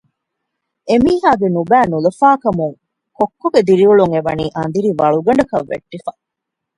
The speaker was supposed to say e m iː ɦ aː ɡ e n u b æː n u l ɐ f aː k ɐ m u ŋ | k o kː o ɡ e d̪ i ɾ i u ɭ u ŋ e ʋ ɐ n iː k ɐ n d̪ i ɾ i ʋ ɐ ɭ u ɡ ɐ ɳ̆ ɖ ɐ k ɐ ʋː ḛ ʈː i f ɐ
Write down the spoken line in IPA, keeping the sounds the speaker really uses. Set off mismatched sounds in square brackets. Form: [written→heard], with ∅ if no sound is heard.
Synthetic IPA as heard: e m iː ɦ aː ɡ e n u b æː n u l ɐ f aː k ɐ m u ŋ | k o kː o ɡ e d̪ i ɾ i u ɭ u ŋ e ʋ ɐ n iː [k→ʔ] ɐ n d̪ i ɾ i ʋ ɐ ɭ u ɡ ɐ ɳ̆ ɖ ɐ k ɐ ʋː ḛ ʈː i f ɐ

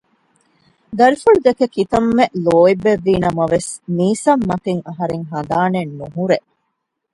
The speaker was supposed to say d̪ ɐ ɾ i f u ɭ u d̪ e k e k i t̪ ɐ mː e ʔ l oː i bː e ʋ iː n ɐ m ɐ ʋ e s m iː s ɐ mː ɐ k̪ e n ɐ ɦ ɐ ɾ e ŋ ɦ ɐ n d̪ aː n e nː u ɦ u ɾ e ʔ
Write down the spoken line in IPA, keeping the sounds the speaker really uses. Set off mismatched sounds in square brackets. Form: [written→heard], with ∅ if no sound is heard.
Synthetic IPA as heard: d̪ ɐ ɾ i f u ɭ u d̪ e k e k i t̪ ɐ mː e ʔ l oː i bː e [ʋ→ʋː] iː n ɐ m ɐ ʋ e s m iː s ɐ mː ɐ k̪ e [n→ŋ] ɐ ɦ ɐ ɾ e ŋ ɦ ɐ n d̪ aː n e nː u ɦ u ɾ e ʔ

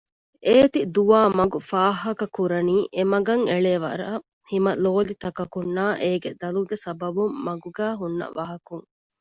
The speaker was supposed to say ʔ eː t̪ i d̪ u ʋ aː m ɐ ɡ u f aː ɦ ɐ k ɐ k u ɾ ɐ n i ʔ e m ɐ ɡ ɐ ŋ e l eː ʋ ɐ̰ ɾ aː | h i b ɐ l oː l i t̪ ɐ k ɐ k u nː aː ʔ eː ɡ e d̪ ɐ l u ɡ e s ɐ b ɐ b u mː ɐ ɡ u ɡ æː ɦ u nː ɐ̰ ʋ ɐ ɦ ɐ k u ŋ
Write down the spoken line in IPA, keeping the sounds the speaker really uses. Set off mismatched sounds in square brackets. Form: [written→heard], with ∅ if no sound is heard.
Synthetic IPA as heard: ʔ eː t̪ i d̪ u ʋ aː m ɐ ɡ u f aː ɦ ɐ k ɐ k u ɾ ɐ n [i→iː] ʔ e m ɐ ɡ ɐ ŋ e [l→ɭ] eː ʋ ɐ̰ ɾ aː | h i [b→m] ɐ l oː l i t̪ ɐ k ɐ k u nː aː ʔ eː ɡ e d̪ ɐ l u ɡ e s ɐ b ɐ b u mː ɐ ɡ u ɡ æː ɦ u nː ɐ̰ ʋ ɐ ɦ ɐ k u ŋ

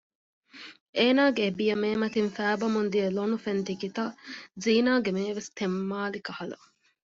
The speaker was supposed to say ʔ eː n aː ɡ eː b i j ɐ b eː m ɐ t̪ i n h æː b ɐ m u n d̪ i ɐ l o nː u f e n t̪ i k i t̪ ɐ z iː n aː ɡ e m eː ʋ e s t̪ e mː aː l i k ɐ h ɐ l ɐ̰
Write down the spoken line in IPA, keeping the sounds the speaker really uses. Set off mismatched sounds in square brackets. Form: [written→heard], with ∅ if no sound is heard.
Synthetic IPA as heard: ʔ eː n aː ɡ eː b i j ɐ [b→m] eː m ɐ t̪ i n [h→f] æː b ɐ m u n d̪ i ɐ l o [nː→n] u f e n t̪ i k i t̪ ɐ z iː n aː ɡ e m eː ʋ e s t̪ e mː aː l i k ɐ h ɐ l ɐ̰

